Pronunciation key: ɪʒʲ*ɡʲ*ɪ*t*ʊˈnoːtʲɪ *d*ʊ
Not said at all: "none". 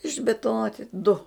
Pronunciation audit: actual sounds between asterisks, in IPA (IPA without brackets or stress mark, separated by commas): bʲ, t, d